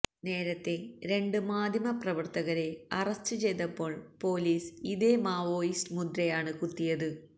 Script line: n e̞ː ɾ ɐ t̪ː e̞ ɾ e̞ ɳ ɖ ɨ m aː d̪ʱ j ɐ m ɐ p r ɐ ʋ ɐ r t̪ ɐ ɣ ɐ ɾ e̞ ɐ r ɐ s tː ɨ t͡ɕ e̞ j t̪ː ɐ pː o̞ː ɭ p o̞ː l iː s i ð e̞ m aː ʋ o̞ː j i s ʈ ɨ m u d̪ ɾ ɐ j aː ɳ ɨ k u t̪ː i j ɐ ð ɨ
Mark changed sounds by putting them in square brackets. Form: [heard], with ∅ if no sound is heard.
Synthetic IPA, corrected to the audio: n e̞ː ɾ ɐ t̪ː e̞ ɾ e̞ ɳ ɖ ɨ m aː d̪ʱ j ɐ m ɐ p r ɐ ʋ ɐ r t̪ ɐ ɣ ɐ ɾ e̞ ɐ r ɐ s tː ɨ t͡ɕ e̞ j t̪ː ɐ pː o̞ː ɭ p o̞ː l iː s i ð e̞ m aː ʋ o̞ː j i s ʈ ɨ m u d̪ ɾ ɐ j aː ɳ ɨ k u t̪ː i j ɐ ð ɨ